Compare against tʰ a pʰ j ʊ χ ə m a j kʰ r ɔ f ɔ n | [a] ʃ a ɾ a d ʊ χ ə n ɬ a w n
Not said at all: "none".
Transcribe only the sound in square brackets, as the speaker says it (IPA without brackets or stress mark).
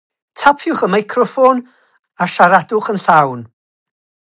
a